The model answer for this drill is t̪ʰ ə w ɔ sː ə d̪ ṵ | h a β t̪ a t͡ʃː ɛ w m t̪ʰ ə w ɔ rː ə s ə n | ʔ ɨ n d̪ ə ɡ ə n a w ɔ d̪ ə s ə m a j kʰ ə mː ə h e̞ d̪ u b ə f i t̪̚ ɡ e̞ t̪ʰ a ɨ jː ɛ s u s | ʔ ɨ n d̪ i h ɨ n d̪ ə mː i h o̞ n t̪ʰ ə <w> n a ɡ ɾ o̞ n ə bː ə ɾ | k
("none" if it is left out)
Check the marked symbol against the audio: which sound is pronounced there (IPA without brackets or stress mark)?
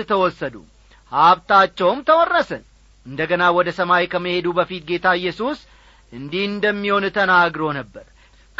none